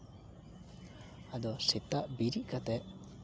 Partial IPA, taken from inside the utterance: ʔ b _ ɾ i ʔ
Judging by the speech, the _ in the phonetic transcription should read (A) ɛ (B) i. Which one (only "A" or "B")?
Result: B